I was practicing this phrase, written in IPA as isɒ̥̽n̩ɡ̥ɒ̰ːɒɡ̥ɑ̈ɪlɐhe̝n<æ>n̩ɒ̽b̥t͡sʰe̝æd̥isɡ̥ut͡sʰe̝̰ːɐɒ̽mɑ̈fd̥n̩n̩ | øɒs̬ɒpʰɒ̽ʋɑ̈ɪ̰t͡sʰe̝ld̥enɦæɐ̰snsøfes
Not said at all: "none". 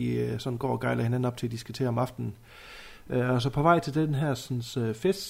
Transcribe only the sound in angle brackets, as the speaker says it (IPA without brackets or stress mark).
æ